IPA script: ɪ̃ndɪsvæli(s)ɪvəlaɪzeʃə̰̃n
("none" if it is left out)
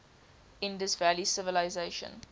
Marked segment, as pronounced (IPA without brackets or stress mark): s